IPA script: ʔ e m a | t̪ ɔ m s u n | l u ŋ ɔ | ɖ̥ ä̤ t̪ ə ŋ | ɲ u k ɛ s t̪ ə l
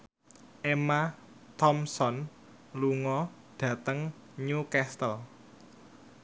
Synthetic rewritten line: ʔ e m a | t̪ ɔ m s ɔ n | l u ŋ ɔ | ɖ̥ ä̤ t̪ ə ŋ | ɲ u k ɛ s t̪ ə l